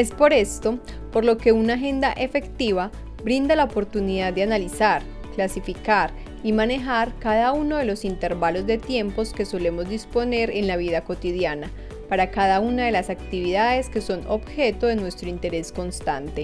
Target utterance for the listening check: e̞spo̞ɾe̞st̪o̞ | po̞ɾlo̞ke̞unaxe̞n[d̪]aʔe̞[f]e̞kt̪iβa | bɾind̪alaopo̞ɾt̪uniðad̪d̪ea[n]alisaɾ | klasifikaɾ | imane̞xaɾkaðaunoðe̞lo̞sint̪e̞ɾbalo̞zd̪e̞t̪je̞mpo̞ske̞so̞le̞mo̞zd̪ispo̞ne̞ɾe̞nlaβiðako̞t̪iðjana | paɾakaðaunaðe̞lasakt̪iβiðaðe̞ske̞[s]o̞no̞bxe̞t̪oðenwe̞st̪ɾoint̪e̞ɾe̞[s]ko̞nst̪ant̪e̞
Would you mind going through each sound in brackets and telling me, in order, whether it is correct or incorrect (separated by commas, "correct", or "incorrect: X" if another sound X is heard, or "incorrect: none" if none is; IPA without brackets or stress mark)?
correct, correct, correct, correct, correct